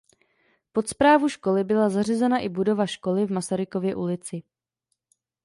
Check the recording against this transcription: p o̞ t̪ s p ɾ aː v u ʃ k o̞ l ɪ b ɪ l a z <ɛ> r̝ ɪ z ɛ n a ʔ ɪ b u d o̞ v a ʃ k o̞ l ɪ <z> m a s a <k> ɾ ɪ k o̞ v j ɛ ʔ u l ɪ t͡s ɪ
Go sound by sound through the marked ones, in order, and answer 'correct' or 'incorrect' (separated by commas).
incorrect, incorrect, incorrect